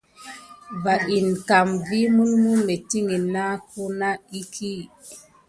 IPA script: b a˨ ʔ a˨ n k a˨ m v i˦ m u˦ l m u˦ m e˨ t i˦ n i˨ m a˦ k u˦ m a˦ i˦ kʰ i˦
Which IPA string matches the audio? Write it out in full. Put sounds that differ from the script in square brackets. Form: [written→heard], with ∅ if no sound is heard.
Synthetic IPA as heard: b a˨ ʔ [a˨→i˨] n k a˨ m v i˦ m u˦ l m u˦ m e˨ t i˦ [n→ŋ] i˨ [m→n] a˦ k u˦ [m→n] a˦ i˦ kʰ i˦